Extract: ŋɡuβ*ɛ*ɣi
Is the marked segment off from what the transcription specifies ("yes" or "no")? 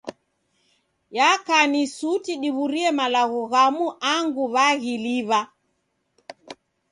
yes